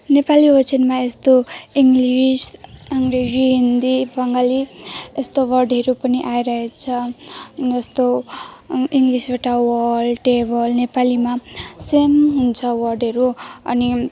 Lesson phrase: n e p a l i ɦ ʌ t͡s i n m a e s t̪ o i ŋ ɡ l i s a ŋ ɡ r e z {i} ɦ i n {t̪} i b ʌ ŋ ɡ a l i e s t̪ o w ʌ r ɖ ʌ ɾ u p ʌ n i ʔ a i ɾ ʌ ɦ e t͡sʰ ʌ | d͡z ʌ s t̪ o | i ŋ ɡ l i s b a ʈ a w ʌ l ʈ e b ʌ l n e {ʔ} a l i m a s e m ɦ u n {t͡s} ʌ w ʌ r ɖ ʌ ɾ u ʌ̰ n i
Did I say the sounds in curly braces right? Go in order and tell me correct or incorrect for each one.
correct, incorrect, incorrect, incorrect

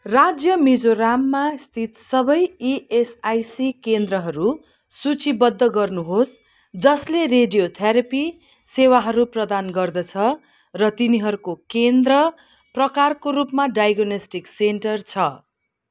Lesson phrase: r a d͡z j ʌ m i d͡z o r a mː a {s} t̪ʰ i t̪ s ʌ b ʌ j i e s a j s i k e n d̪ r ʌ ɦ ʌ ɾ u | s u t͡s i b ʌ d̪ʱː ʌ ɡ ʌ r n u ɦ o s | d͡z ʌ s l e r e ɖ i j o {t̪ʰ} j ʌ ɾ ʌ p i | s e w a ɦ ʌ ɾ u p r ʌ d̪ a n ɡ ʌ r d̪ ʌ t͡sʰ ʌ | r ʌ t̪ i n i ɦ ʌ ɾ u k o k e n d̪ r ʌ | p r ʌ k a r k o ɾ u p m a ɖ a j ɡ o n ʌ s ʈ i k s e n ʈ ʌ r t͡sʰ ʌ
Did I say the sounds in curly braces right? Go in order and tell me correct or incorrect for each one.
correct, correct

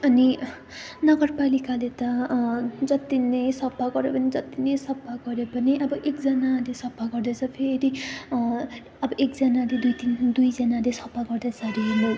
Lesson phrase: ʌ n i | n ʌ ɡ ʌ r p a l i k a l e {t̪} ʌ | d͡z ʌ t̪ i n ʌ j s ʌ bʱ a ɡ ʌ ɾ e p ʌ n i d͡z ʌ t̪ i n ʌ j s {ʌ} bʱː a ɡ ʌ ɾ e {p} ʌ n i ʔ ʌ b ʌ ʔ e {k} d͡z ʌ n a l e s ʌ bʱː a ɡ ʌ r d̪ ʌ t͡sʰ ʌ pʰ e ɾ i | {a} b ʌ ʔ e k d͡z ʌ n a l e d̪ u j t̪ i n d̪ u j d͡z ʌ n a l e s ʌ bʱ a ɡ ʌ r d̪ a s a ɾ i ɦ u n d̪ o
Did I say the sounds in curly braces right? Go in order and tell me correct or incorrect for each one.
correct, correct, correct, correct, incorrect

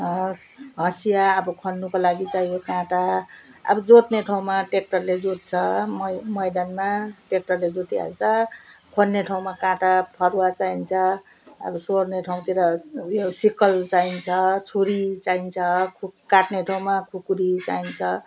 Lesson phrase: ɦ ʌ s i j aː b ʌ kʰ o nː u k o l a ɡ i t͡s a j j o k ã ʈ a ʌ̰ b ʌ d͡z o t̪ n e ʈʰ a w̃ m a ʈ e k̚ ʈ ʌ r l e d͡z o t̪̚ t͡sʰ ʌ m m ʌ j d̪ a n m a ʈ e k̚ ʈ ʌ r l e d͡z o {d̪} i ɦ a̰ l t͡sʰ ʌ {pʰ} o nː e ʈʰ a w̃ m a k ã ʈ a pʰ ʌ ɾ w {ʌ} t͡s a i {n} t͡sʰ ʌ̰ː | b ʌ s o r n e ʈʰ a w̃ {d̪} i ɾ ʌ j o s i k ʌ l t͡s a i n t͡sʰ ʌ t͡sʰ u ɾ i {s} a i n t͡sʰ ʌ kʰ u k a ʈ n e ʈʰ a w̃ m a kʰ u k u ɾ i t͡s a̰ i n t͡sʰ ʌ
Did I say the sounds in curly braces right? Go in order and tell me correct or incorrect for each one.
incorrect, incorrect, incorrect, correct, incorrect, incorrect

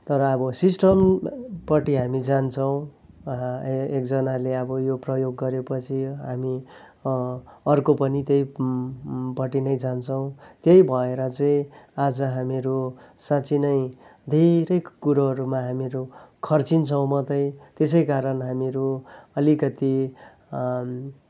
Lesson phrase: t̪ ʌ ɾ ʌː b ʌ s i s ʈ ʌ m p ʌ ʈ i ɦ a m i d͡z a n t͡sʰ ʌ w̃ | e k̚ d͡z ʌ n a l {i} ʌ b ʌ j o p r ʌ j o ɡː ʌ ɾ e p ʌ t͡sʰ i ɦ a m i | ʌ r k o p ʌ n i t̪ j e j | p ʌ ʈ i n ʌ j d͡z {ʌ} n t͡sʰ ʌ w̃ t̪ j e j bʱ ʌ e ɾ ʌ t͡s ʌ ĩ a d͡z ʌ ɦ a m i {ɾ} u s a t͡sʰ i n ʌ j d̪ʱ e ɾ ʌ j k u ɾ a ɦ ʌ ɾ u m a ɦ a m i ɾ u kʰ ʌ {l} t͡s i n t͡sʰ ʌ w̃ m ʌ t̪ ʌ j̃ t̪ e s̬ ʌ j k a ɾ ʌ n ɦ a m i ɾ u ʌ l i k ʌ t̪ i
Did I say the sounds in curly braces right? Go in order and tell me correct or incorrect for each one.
incorrect, incorrect, correct, incorrect

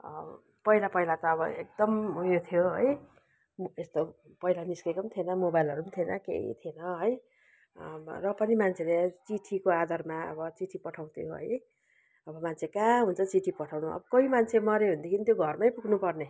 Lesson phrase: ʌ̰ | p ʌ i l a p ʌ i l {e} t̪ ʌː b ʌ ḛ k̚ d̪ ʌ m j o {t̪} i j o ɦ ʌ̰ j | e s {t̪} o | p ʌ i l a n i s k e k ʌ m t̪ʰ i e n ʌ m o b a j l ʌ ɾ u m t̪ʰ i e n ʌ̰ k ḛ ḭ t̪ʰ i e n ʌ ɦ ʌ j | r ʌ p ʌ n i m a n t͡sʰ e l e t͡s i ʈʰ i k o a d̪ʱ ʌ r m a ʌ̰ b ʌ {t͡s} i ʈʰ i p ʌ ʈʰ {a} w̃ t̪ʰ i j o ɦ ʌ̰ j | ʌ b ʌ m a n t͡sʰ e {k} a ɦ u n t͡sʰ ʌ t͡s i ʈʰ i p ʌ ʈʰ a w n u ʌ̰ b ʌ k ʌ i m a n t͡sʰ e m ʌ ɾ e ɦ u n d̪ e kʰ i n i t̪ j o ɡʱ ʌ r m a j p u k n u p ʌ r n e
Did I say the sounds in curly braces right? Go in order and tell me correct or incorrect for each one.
incorrect, incorrect, correct, correct, correct, correct

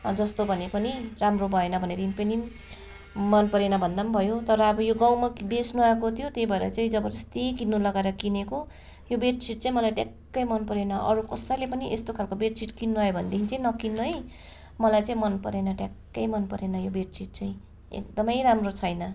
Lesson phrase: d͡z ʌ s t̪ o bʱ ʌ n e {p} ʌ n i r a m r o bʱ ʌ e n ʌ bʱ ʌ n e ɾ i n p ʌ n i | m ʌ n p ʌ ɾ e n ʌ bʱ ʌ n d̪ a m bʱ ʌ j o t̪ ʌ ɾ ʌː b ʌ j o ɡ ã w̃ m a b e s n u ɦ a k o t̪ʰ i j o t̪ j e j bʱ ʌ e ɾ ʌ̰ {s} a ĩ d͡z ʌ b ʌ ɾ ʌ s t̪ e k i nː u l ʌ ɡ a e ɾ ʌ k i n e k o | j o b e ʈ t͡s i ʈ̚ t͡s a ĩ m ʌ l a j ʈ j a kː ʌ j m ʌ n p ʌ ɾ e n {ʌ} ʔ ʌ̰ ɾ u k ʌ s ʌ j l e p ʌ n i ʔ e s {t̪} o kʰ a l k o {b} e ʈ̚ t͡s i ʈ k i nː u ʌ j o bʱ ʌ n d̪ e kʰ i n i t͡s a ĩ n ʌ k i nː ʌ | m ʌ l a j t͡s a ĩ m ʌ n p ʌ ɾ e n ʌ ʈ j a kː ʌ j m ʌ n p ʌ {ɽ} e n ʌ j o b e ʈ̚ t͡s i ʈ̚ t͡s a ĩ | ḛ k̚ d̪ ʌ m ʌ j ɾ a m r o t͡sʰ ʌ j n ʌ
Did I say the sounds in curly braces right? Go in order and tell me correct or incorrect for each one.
correct, incorrect, correct, correct, correct, incorrect

